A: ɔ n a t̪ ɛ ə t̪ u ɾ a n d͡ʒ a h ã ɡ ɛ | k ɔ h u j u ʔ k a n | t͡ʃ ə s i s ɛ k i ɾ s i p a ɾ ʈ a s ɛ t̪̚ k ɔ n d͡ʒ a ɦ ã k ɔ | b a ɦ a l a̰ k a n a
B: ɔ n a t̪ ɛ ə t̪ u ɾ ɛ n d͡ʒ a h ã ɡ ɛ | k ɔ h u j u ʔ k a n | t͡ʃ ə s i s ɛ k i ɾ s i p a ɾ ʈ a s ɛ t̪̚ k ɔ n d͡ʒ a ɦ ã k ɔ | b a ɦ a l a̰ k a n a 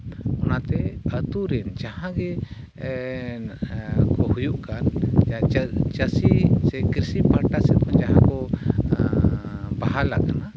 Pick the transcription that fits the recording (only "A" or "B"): B